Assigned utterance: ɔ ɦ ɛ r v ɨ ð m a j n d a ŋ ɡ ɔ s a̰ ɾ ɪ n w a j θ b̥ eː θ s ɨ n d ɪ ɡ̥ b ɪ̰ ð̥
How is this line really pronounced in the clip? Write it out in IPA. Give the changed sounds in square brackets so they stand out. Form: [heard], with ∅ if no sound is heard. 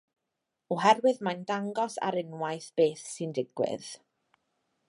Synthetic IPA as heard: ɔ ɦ ɛ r [w] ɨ ð m a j n d a ŋ ɡ ɔ s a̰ ɾ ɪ n w a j θ b̥ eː θ s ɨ n d ɪ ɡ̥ [w] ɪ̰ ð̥

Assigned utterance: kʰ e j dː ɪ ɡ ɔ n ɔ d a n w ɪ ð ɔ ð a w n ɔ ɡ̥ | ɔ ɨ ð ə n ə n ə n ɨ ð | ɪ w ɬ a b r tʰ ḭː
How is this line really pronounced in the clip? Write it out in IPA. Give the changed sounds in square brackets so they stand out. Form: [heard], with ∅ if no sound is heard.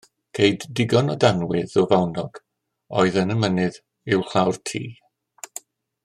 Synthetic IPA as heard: kʰ e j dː ɪ ɡ ɔ n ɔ d a n w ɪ ð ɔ [v] a w n ɔ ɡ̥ | ɔ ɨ ð ə n ə [m] ə n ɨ ð | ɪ w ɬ a [w] r tʰ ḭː

